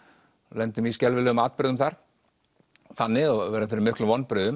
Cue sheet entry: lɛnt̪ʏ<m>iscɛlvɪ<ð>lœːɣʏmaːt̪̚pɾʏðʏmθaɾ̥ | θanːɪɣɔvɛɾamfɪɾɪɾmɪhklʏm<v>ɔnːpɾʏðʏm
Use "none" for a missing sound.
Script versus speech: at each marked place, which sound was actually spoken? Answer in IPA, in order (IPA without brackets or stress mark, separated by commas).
m, none, v